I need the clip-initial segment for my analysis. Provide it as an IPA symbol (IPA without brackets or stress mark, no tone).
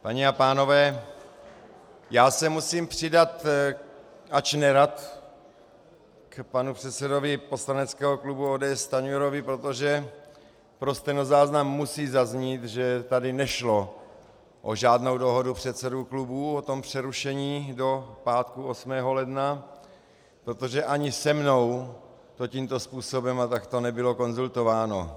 p